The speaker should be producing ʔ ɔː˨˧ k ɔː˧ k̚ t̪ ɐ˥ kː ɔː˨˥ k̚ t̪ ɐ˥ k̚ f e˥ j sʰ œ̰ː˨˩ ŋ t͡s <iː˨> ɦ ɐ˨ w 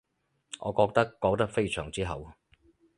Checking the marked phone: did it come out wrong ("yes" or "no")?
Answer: yes